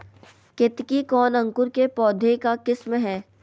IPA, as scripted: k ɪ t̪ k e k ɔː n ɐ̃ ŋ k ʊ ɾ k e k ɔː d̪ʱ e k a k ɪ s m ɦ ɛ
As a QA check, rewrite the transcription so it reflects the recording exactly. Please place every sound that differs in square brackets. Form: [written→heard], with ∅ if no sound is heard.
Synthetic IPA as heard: k ɪ t̪ k [e→i] k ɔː n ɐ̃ ŋ k ʊ ɾ k e [k→p] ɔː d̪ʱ e k a k ɪ s m ɦ [ɛ→ɛː]

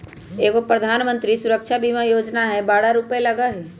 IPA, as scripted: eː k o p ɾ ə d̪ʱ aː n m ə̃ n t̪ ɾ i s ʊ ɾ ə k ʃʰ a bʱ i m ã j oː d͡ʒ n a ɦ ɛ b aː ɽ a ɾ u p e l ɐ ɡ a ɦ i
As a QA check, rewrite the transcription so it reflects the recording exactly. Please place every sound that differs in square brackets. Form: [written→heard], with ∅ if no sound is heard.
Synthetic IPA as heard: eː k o p ɾ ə d̪ʱ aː n m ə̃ n t̪ ɾ i s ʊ ɾ ə k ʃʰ a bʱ i m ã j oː d͡ʒ n a ɦ ɛ b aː ɽ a ɾ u p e l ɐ ɡ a ɦ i

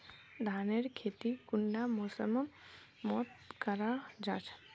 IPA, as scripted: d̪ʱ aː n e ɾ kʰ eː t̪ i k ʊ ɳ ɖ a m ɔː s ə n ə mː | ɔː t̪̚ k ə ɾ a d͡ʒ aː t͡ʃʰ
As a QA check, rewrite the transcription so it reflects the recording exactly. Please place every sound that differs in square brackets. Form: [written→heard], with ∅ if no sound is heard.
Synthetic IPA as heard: d̪ʱ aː n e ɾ kʰ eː t̪ i k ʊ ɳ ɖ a m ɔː s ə [n→m] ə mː | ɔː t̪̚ k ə ɾ a d͡ʒ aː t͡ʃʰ

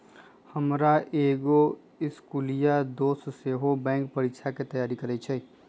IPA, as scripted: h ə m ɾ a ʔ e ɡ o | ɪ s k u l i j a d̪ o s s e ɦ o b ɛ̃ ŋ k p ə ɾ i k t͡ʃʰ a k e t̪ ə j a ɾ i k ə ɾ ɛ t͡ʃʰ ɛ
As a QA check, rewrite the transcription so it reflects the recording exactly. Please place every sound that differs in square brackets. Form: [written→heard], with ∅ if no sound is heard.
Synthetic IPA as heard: h ə m ɾ a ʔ e ɡ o | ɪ s k u l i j a d̪ o s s e ɦ o b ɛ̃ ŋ k p ə ɾ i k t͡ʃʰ a k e t̪ ə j a ɾ i k ə ɾ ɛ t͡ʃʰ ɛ

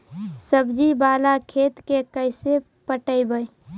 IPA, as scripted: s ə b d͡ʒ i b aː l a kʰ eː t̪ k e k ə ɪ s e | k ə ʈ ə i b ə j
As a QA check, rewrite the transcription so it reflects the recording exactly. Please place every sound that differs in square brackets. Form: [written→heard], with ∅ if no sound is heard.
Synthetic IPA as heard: s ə b d͡ʒ i b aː l a kʰ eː t̪ k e k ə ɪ s e | [k→p] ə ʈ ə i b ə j

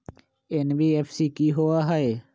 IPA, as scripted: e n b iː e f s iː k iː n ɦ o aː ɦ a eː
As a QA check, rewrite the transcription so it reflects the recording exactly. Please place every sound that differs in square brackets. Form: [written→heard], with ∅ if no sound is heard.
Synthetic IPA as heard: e n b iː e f s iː k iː [n→∅] ɦ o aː ɦ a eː

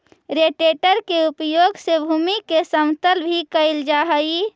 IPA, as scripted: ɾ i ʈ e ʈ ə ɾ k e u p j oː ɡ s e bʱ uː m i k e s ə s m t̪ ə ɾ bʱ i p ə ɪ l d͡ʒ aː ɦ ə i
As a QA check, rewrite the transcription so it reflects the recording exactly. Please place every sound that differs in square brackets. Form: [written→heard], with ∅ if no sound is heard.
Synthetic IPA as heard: ɾ [i→e] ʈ e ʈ ə ɾ k e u p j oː ɡ s e bʱ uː m i k e s ə [s→∅] m t̪ ə [ɾ→l] bʱ i [p→k] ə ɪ l d͡ʒ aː ɦ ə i

